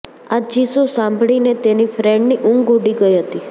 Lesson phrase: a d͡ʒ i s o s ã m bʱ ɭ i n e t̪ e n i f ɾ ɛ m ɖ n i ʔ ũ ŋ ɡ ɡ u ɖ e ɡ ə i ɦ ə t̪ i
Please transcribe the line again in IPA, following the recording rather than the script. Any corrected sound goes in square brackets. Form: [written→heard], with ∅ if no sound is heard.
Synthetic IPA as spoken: a d͡ʒ i s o s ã m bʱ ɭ i n e t̪ e n i f ɾ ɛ [m→ɳ] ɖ n i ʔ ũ ŋ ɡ ɡ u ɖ [e→i] ɡ ə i ɦ ə t̪ i

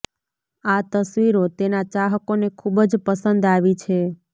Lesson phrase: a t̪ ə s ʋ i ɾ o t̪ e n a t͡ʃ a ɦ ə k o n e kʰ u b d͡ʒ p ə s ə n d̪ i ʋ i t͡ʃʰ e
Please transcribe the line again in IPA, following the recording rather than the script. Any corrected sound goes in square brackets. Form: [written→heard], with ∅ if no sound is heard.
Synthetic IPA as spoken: a t̪ ə s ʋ i ɾ o t̪ e n a t͡ʃ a ɦ ə k o n e kʰ u b d͡ʒ p ə s ə n d̪ [i→a] ʋ i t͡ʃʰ e

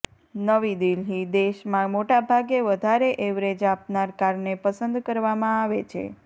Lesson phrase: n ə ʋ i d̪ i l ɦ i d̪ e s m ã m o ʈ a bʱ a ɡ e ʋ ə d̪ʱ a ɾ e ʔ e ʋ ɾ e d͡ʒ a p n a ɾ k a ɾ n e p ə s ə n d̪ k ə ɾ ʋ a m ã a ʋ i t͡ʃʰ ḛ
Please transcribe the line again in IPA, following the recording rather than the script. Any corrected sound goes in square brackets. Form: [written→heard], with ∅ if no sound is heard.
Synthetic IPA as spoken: n ə ʋ i d̪ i l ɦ i d̪ e [s→ʃ] m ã m o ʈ a bʱ a ɡ e ʋ ə d̪ʱ a ɾ e ʔ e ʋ ɾ e d͡ʒ a p n a ɾ k a ɾ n e p ə s ə n d̪ k ə ɾ ʋ a m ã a ʋ [i→e] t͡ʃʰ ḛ

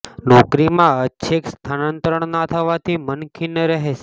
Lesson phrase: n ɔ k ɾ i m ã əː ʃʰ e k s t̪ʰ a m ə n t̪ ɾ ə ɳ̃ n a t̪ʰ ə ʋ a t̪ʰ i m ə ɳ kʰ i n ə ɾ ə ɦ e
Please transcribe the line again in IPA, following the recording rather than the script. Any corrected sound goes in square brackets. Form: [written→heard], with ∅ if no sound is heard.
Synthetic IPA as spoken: n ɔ k ɾ i m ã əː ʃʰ e k s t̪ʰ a [m→n] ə n t̪ ɾ ə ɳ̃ n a t̪ʰ ə ʋ a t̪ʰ i m ə [ɳ→n] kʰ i n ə ɾ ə ɦ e

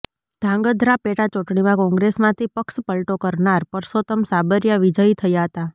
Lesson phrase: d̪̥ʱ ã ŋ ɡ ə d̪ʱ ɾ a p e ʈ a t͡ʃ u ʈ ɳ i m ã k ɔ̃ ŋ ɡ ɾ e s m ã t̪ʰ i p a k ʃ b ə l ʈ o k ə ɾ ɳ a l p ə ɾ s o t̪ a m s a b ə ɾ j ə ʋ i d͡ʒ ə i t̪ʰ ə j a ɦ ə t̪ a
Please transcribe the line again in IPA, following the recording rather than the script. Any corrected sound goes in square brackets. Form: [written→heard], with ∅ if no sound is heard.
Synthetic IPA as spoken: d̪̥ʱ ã ŋ ɡ ə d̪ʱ ɾ a p e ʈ a t͡ʃ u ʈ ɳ i m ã k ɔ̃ ŋ ɡ ɾ e s m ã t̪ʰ i p [a→ə] k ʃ [b→p] ə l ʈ o k ə ɾ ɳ a [l→ɾ] p ə ɾ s o t̪ [a→ə] m s a b ə ɾ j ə ʋ i d͡ʒ ə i t̪ʰ ə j a ɦ ə t̪ a

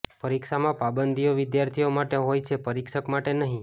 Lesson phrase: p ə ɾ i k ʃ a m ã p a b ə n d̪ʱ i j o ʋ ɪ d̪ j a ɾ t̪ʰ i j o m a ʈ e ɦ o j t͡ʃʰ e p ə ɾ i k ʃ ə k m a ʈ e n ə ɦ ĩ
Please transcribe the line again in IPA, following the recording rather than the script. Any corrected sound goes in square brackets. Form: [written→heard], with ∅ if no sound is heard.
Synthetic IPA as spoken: p ə ɾ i k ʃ a m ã p a b ə n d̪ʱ i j o ʋ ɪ d̪ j a ɾ t̪ʰ i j o m a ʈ e ɦ o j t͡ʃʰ e p ə ɾ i k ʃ ə k m a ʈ e n ə ɦ ĩ

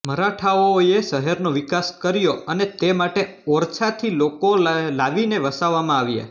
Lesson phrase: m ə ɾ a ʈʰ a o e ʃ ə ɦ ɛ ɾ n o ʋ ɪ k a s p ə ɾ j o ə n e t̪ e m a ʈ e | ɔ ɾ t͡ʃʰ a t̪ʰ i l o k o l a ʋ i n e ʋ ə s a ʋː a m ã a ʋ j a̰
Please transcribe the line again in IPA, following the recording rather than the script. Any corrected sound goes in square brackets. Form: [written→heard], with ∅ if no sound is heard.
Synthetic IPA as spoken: m ə ɾ a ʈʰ a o e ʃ ə ɦ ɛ ɾ n o ʋ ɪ k a s [p→k] ə ɾ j o ə n e t̪ e m a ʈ e | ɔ ɾ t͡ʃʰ a t̪ʰ i l o k o l a ʋ i n e ʋ ə s a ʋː a m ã a ʋ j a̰

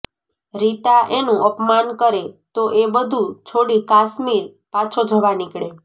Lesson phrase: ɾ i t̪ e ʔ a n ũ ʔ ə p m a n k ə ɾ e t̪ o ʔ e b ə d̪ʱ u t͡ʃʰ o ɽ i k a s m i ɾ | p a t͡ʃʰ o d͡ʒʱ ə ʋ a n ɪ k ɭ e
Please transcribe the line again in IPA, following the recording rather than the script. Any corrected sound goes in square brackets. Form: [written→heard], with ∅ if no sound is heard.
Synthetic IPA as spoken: ɾ i t̪ [e→a] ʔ [a→e] n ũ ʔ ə p m a n k ə ɾ e t̪ o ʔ e b ə d̪ʱ u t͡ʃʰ o ɽ i k a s m i ɾ | p a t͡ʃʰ o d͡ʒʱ ə ʋ a n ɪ k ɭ e

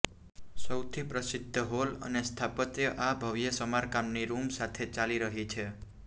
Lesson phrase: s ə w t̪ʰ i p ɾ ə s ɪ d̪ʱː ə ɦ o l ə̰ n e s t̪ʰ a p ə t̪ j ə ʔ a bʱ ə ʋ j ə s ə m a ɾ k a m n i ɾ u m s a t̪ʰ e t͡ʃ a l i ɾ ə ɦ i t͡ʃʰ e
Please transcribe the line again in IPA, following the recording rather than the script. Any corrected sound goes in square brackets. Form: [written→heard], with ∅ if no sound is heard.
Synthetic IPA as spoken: s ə w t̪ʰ i p ɾ ə s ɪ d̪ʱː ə ɦ o l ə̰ n e s t̪ʰ a p ə t̪ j ə ʔ a bʱ ə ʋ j ə s ə m a ɾ k a m n i ɾ u m s a t̪ʰ e t͡ʃ a l i ɾ ə ɦ i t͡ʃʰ e

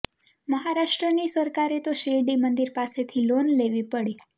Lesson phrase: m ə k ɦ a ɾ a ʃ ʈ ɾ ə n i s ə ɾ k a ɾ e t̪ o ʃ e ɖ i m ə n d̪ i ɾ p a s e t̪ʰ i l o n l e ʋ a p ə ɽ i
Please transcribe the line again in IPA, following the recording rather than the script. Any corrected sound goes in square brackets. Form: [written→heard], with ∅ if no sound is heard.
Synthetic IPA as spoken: m ə [k→∅] ɦ a ɾ a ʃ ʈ ɾ ə n i s ə ɾ k a ɾ e t̪ o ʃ e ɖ i m ə n d̪ i ɾ p a s e t̪ʰ i l o n l e ʋ [a→i] p ə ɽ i

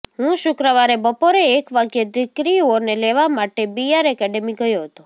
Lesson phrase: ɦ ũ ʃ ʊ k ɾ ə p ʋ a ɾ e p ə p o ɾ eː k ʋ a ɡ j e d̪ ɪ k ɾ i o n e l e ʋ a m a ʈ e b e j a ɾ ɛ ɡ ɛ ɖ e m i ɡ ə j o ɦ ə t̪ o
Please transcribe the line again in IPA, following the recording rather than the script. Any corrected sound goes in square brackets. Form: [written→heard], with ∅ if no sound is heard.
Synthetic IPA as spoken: ɦ ũ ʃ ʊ k ɾ ə [p→∅] ʋ a ɾ e [p→b] ə p o ɾ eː k ʋ a ɡ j e d̪ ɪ k ɾ i o n e l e ʋ a m a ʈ e b [e→i] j a ɾ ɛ [ɡ→k] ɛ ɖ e m i ɡ ə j o ɦ ə t̪ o

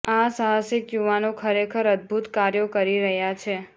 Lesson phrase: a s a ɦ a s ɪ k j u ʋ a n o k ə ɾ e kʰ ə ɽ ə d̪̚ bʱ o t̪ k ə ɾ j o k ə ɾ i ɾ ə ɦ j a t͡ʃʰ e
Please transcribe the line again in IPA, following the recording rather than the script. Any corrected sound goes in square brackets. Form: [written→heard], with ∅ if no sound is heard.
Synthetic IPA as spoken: a s a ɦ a s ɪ k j u ʋ a n o [k→kʰ] ə ɾ e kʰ ə [ɽ→ɾ] ə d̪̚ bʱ [o→u] t̪ k [ə→a] ɾ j o k ə ɾ i ɾ ə ɦ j a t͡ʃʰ e

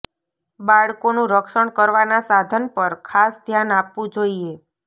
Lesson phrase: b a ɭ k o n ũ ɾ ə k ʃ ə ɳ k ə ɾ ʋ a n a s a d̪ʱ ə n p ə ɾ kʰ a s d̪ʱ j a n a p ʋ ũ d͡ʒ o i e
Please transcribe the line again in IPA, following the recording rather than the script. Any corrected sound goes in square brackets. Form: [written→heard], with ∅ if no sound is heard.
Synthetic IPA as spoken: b a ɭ k o n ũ ɾ ə k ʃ ə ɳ k ə ɾ ʋ a n a s a d̪ʱ ə n p ə ɾ kʰ a s d̪ʱ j a n a p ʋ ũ d͡ʒ o i e

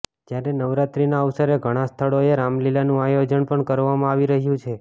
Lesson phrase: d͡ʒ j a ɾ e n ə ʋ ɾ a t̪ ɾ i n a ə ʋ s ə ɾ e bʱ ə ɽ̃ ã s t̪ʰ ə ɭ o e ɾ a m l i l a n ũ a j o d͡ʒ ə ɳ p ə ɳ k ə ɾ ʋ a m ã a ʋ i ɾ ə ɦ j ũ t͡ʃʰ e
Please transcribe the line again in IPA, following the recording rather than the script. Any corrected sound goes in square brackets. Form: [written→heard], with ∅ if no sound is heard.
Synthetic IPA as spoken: d͡ʒ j a ɾ e n ə ʋ ɾ a t̪ ɾ i n a ə ʋ s ə ɾ e [bʱ→ɡʱ] ə ɽ̃ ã s t̪ʰ ə ɭ o e ɾ a m l i l a n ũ a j o d͡ʒ ə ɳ p ə ɳ k ə ɾ ʋ a m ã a ʋ i ɾ ə ɦ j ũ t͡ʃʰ e

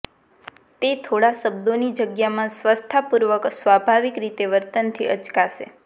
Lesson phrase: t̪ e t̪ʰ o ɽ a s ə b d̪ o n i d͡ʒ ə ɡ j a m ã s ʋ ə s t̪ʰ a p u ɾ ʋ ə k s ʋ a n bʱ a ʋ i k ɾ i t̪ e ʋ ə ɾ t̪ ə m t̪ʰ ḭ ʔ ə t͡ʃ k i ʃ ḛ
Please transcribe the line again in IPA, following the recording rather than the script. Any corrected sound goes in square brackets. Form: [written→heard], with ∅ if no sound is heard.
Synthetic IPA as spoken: t̪ e t̪ʰ o ɽ a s ə b d̪ o n i d͡ʒ ə ɡ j a m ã s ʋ ə s t̪ʰ a p u ɾ ʋ ə k s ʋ a [n→∅] bʱ a ʋ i k ɾ i t̪ e ʋ ə ɾ t̪ ə [m→n] t̪ʰ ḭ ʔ ə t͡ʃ k [i→a] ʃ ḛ

